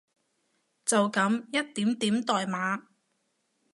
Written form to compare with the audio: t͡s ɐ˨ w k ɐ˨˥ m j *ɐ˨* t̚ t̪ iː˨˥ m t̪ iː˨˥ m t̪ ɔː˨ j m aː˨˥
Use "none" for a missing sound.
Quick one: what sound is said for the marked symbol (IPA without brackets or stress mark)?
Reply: ɐ˥